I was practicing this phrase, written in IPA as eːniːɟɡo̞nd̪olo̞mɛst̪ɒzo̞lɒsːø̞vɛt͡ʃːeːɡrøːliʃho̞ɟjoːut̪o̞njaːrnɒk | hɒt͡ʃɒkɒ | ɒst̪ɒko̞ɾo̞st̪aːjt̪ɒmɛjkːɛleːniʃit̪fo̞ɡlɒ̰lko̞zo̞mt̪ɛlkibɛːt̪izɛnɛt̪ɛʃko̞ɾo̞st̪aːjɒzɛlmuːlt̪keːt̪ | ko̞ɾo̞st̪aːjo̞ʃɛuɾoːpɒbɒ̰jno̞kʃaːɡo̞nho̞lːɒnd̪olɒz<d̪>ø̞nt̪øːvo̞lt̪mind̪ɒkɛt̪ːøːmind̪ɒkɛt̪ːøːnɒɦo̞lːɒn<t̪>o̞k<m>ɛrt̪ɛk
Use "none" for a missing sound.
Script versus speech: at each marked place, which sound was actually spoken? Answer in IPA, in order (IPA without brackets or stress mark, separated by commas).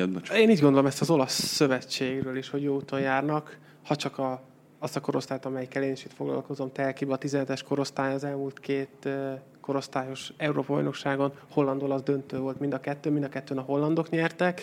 d̪, d̪, ɲ